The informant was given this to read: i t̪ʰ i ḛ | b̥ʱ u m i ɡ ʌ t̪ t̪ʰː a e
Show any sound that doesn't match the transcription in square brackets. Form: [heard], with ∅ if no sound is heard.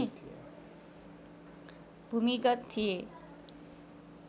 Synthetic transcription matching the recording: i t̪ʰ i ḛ | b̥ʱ u m i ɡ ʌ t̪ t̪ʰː [i] e